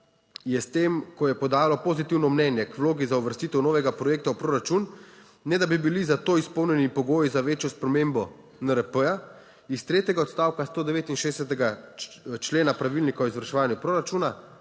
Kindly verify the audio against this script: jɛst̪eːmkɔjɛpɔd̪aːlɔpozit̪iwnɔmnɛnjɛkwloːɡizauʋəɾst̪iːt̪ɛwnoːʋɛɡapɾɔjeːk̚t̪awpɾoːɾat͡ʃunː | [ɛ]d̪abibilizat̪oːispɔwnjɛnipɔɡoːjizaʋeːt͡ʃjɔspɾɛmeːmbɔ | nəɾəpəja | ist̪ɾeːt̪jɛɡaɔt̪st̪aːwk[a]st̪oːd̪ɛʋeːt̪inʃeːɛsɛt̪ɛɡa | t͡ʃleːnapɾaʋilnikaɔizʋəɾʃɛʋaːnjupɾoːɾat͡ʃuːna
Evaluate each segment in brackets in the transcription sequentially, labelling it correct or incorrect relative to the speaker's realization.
correct, correct

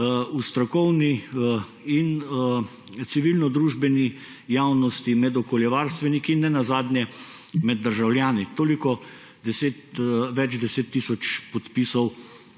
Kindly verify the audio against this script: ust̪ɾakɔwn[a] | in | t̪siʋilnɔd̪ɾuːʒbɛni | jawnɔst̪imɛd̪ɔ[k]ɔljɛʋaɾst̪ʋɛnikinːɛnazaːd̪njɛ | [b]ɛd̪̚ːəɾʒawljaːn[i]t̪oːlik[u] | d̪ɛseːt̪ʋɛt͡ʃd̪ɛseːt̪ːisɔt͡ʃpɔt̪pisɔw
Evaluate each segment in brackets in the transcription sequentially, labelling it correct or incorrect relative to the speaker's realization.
incorrect, correct, incorrect, correct, incorrect

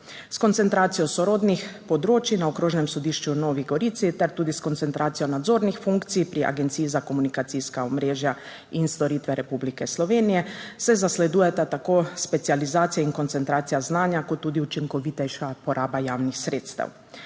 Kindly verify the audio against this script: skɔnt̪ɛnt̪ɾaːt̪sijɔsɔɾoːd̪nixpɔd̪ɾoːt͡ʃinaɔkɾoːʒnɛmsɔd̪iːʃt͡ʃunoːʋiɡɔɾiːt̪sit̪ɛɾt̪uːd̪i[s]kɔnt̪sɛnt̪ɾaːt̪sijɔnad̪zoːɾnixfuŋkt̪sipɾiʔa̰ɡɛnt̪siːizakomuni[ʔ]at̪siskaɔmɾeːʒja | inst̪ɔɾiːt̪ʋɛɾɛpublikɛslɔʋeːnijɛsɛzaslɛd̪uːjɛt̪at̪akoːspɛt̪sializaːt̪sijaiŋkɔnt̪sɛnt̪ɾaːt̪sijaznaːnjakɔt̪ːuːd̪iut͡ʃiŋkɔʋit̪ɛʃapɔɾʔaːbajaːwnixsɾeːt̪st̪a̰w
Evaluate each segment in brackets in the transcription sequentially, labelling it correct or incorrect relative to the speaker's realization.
correct, incorrect

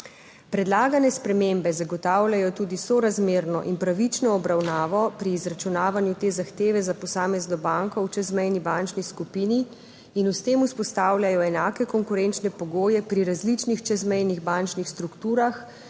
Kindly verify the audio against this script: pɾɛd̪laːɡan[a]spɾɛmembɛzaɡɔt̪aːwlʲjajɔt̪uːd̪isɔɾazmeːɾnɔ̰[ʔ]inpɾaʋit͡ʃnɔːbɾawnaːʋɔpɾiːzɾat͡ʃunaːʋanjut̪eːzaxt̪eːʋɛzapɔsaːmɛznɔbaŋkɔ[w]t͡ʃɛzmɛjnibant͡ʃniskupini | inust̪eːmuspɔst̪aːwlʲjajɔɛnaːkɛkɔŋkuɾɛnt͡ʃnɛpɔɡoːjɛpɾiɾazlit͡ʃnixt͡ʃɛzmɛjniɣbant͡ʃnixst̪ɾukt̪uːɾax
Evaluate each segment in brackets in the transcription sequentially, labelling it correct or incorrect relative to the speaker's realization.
incorrect, correct, correct

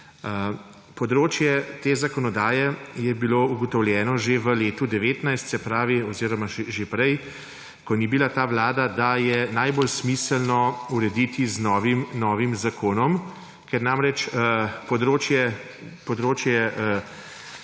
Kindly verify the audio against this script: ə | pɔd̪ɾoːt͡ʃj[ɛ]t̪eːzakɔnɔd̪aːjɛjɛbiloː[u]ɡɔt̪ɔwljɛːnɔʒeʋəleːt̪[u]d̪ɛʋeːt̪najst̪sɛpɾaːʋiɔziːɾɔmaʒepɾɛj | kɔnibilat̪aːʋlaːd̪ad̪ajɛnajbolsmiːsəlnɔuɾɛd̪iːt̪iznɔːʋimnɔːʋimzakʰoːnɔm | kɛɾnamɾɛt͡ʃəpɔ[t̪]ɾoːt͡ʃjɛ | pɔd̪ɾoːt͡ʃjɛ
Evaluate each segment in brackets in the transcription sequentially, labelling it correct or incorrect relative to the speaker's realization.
correct, correct, correct, incorrect

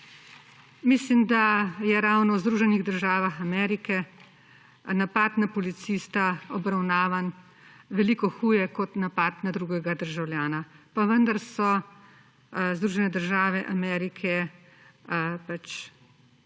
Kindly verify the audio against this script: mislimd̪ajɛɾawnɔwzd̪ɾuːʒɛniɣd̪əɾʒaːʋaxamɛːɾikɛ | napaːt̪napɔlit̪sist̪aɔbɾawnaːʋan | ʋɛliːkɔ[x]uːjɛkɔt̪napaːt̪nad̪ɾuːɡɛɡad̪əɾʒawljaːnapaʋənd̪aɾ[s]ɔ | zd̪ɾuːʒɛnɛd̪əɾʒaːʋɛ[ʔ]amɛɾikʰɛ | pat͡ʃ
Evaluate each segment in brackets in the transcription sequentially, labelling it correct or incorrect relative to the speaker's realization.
correct, correct, correct

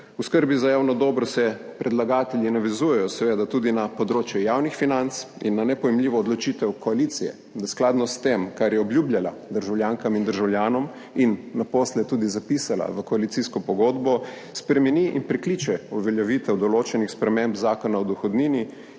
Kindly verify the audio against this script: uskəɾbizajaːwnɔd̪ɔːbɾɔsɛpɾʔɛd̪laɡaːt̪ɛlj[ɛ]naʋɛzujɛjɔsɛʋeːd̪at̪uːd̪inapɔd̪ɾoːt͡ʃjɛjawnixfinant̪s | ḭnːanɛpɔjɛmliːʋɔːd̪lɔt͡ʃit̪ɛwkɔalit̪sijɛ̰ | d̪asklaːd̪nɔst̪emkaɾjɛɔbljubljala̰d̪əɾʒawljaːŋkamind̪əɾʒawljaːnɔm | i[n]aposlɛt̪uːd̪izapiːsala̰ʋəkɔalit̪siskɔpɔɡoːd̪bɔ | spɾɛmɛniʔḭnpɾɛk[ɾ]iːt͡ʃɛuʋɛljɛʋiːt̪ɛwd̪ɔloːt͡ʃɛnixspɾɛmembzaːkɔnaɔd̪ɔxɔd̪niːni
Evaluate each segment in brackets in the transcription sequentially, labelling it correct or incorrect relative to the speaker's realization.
incorrect, incorrect, incorrect

